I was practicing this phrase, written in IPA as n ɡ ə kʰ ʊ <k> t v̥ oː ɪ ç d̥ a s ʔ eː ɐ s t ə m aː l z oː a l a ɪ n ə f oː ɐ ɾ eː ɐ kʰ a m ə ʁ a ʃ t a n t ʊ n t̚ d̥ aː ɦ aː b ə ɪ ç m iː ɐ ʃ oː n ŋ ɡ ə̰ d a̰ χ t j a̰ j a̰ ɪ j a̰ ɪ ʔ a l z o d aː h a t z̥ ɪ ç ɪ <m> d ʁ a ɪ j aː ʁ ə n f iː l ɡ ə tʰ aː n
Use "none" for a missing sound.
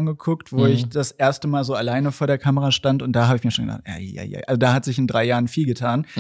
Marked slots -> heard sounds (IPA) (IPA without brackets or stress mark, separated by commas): k, n